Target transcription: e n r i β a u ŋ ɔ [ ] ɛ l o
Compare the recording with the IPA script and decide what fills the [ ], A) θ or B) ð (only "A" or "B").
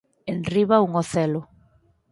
A